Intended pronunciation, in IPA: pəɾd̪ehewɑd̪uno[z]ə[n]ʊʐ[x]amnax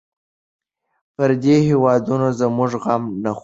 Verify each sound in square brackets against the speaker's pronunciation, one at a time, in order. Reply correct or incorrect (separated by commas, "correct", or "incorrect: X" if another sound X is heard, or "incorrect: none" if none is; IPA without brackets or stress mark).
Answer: correct, incorrect: m, incorrect: ɣ